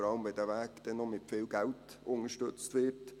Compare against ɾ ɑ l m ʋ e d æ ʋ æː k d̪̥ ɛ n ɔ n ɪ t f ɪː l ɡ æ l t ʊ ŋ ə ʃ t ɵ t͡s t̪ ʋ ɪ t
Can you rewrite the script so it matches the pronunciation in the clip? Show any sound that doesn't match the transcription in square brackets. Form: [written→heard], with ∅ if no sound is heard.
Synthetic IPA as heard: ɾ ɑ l m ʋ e d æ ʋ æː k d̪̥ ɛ n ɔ [n→m] ɪ t f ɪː l ɡ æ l t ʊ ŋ ə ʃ t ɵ t͡s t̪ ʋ ɪ t

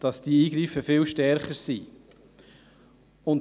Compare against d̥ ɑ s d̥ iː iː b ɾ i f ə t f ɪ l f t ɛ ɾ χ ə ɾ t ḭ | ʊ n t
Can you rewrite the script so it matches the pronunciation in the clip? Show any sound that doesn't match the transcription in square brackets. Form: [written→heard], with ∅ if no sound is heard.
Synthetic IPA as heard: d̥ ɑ s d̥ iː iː [b→ɡ] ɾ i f ə [t→∅] f ɪ l [f→ʃ] t ɛ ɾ χ ə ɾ [t→s] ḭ | ʊ n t

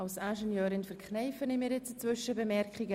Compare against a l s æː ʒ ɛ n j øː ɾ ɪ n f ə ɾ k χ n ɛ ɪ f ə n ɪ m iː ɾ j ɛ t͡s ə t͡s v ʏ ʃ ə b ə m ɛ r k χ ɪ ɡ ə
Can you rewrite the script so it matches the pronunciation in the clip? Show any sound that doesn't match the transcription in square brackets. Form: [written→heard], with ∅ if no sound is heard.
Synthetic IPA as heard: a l s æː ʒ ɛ n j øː ɾ ɪ n f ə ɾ k χ n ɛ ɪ f ə n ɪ m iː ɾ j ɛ t͡s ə t͡s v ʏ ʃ ə b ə m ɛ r k χ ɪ ɡ ə

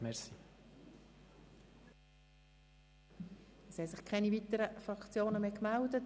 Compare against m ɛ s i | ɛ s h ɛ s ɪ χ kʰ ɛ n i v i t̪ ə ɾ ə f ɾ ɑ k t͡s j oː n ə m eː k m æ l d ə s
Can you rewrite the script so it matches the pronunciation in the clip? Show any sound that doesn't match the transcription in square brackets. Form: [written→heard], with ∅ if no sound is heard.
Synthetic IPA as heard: m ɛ s i | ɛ s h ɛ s ɪ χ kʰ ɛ n i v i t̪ ə ɾ ə f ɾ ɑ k t͡s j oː n ə m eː k m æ l d ə [s→t]

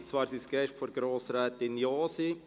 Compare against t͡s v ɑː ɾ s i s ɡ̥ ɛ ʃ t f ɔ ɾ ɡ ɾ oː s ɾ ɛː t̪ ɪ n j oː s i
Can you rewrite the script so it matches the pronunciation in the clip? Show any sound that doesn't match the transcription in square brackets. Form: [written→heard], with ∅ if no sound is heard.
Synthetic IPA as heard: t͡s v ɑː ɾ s i s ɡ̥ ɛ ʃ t f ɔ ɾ ɡ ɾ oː s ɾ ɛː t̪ ɪ n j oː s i

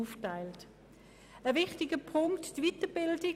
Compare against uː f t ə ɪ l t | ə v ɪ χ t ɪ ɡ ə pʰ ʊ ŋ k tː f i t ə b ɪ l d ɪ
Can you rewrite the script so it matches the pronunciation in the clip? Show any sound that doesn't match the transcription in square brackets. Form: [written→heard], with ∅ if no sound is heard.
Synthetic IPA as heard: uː f t [ə→a] ɪ l t | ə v ɪ χ t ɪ ɡ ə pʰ ʊ ŋ k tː [f→v] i t ə b ɪ l d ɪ

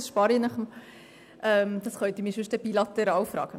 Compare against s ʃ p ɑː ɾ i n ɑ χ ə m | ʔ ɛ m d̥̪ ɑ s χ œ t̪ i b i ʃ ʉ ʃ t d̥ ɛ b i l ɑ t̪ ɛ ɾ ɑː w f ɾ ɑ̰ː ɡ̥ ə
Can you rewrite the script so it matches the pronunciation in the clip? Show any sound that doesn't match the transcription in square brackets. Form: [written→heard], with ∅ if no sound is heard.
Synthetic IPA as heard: s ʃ p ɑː ɾ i n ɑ χ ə m | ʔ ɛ m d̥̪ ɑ s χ œ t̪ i [b→m] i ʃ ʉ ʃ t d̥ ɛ b i l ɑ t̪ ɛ ɾ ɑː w f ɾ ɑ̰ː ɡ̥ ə

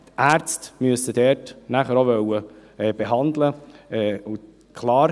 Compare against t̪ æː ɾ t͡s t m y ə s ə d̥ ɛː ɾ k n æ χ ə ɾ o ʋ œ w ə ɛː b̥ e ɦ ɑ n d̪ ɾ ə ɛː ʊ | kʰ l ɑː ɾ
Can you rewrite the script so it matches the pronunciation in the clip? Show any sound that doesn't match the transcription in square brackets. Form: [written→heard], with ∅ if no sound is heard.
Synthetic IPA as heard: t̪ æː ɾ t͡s t m y ə s ə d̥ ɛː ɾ [k→t] n æ χ ə ɾ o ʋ œ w ə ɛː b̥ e ɦ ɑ n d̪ [ɾ→l] ə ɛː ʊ | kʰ l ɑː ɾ

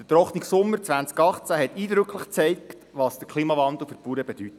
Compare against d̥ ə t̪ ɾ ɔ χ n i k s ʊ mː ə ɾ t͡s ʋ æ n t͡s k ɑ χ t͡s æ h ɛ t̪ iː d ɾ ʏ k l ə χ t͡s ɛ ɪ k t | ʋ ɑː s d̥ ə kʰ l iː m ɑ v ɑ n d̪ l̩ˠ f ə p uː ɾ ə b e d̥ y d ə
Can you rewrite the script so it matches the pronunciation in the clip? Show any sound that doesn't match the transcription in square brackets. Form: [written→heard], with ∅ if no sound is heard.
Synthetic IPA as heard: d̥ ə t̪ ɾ ɔ χ n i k s ʊ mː ə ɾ t͡s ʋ æ n t͡s k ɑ χ t͡s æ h ɛ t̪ iː d ɾ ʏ k l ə χ t͡s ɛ ɪ k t | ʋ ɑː s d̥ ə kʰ l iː m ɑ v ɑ n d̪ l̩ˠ f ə p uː ɾ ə b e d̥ y [d→t] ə

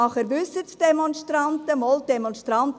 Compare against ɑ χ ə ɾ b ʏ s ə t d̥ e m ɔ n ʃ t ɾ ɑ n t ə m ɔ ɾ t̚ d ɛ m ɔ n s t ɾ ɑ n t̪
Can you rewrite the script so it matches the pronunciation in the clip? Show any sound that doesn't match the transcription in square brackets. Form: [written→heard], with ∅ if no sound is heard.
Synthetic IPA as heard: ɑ χ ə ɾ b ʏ s ə t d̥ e m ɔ n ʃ t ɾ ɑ n t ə m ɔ [ɾ→l] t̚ d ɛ m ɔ n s t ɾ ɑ n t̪

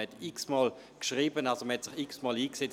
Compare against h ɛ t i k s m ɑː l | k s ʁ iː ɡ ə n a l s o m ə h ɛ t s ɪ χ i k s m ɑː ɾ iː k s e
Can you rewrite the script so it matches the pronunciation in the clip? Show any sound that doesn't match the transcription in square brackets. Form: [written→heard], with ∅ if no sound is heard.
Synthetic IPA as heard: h ɛ t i k s m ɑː l | k [s→ʃ] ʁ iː [ɡ→b] ə n a l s o m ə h ɛ t s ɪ χ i k s m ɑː [ɾ→l] iː k s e

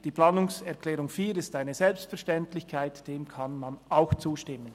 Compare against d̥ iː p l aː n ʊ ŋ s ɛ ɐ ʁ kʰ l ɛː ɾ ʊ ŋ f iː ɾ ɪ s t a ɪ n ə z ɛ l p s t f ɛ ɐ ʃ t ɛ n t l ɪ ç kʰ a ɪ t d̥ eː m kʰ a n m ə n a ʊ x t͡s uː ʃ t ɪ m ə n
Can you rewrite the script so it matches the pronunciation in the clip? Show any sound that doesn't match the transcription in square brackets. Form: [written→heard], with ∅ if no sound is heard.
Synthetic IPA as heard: d̥ iː p l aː n ʊ ŋ s ɛ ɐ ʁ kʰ l ɛː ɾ ʊ ŋ f iː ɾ ɪ s t a ɪ n ə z ɛ l p s t f ɛ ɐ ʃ t ɛ n t l ɪ ç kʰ a ɪ t d̥ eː m kʰ a n m [ə→a] n a ʊ x t͡s uː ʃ t ɪ m ə n

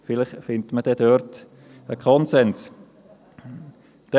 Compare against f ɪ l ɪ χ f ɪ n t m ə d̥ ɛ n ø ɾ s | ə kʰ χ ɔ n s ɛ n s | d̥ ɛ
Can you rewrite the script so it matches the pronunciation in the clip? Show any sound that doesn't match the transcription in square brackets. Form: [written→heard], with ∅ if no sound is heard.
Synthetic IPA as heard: f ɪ l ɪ χ f ɪ n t m ə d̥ ɛ [n→d] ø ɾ [s→t] | ə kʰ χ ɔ n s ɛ n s | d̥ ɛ

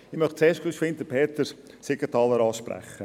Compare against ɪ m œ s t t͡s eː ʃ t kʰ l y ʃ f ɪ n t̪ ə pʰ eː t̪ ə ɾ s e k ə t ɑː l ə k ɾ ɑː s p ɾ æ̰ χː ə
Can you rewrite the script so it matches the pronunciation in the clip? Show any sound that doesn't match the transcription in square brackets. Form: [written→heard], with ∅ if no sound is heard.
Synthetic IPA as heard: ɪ m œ [s→χ] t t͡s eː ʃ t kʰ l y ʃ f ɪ n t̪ ə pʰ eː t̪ ə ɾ s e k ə t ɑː l ə [k→∅] ɾ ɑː [s→ʃ] p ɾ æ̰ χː ə

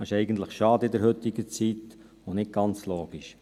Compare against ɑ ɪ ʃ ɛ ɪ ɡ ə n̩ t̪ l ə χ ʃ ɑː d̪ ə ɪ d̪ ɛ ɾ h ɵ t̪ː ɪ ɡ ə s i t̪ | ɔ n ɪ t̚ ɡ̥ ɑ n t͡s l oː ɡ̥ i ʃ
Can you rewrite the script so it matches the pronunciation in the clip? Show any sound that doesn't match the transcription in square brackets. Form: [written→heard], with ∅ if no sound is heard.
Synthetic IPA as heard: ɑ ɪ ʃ ɛ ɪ ɡ ə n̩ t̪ l ə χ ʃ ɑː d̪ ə ɪ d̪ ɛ ɾ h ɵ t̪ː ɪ ɡ ə [s→t͡s] i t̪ | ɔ n ɪ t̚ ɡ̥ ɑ n t͡s l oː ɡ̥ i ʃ

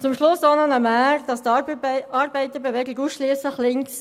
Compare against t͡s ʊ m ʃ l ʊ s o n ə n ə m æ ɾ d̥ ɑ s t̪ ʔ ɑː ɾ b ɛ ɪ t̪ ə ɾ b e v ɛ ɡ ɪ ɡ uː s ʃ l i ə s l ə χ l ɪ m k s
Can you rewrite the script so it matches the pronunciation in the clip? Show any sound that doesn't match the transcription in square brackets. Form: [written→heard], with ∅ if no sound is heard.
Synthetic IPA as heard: t͡s ʊ m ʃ l ʊ s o n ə n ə m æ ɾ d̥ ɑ s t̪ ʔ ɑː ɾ b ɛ ɪ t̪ ə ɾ b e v ɛ ɡ ɪ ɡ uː s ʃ l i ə s l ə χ l ɪ [m→ŋ] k s

